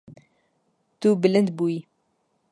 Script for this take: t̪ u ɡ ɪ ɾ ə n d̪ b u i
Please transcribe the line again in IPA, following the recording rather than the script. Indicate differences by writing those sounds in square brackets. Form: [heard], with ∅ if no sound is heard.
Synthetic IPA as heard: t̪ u [b] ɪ [l] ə n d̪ b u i

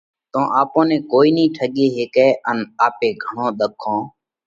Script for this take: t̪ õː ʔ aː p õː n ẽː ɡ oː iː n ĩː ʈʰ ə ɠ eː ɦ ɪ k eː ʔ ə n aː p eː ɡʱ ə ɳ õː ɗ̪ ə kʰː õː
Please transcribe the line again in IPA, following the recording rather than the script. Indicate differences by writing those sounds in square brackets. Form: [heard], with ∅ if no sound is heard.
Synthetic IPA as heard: t̪ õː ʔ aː p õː n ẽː [k] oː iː n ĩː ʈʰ ə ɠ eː ɦ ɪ k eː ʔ ə n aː p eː ɡʱ ə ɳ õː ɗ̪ ə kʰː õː

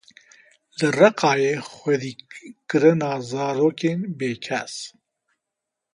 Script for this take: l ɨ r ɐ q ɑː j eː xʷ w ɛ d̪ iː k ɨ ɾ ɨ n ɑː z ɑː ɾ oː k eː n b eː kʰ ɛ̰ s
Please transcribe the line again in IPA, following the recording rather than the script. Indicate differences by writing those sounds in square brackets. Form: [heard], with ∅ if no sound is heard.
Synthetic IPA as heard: l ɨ r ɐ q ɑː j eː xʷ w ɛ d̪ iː k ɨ ɾ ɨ n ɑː z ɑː ɾ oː k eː n b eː kʰ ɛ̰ s

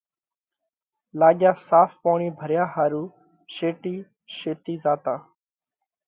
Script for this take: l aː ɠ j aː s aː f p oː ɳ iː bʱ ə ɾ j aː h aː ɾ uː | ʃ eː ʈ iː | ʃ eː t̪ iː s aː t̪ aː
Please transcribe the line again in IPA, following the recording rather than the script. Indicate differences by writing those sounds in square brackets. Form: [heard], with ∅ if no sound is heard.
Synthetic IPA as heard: l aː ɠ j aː s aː f p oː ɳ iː bʱ ə ɾ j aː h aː ɾ uː | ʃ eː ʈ iː | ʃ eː t̪ iː [z] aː t̪ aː

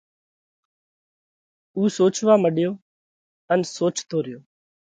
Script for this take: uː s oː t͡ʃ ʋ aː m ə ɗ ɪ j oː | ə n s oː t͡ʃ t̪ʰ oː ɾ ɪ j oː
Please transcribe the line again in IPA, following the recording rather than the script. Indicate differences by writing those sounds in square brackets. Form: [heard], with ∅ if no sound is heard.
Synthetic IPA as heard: uː s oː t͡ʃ ʋ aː m ə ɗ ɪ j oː | ə n s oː t͡ʃ t̪ʰ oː ɾ ɪ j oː

